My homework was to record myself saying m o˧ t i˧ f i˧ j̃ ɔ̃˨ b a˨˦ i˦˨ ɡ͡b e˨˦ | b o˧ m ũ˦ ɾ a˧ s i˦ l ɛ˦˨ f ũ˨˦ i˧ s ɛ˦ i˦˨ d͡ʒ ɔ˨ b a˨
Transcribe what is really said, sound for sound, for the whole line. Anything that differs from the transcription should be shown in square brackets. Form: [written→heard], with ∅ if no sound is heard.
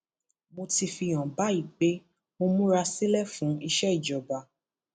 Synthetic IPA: m o˧ t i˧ f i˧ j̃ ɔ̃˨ b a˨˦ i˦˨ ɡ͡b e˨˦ | [b→m] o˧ m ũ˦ ɾ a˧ s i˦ l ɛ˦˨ f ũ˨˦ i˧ [s→ʃ] ɛ˦ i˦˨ d͡ʒ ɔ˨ b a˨